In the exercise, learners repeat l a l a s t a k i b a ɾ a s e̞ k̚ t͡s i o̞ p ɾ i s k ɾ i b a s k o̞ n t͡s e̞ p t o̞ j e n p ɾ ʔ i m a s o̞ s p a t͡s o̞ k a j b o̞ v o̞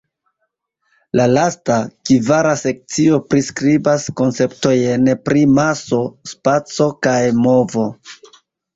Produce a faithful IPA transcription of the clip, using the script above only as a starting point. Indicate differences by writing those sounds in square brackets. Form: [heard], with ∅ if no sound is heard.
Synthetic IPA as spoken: l a l a s t a k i [v] a ɾ a s e̞ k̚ t͡s i o̞ p ɾ i s k ɾ i b a s k o̞ n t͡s e̞ p t o̞ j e n p ɾ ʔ i m a s o̞ s p a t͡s o̞ k a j [m] o̞ v o̞